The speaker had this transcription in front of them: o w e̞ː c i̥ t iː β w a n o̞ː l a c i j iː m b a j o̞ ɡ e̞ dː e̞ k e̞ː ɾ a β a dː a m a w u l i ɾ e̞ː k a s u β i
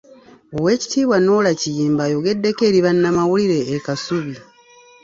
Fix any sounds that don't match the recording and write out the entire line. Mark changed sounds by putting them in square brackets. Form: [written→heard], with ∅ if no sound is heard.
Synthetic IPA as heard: o w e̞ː c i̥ t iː β w a n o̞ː l a c i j iː m b a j o̞ ɡ e̞ dː e̞ k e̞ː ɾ [a→i] β a [dː→nː] a m a w u l i ɾ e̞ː k a s u β i